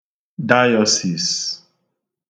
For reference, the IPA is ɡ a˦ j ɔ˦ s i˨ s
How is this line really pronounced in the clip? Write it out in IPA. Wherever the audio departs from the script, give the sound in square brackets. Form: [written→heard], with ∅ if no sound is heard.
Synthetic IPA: [ɡ→d] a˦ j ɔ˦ s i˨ s

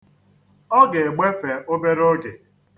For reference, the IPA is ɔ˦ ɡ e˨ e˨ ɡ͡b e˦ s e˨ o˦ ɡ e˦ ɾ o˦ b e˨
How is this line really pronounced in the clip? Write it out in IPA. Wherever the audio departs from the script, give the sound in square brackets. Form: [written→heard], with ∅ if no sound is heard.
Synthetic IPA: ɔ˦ ɡ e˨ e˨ ɡ͡b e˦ [s→f] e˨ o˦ [ɡ→b] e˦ ɾ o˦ [b→ɡ] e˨

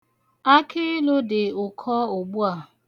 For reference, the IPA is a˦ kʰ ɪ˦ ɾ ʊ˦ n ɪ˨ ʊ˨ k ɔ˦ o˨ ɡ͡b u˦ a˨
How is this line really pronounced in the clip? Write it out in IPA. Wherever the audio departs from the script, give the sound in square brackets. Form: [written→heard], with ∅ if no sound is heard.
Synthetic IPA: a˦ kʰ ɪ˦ [ɾ→l] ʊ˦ [n→d] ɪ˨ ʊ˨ [k→kʰ] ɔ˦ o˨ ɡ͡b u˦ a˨

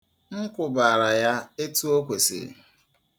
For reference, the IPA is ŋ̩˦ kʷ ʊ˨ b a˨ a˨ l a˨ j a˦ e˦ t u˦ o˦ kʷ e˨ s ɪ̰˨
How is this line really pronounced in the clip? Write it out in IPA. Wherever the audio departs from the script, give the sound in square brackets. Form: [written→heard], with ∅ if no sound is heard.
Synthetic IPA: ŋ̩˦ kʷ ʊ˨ b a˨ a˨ [l→ɾ] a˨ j a˦ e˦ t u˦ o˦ kʷ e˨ s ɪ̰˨

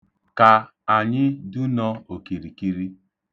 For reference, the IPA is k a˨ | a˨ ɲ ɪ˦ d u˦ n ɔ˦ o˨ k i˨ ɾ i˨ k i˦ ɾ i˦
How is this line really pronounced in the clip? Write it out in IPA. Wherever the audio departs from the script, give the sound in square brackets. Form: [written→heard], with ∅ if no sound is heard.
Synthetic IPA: k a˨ | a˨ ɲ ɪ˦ d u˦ n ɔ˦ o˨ k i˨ ɾ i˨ k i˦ ɾ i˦

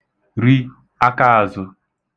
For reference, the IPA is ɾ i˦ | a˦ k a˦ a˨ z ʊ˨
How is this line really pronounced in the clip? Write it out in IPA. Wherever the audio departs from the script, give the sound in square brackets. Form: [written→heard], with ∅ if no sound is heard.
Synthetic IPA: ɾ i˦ | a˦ k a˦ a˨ z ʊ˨

